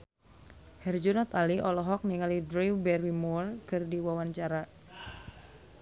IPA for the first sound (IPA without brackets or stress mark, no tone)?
h